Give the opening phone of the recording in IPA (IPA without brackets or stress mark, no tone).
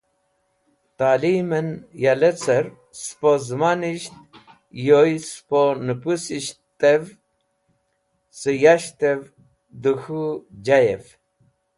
t̪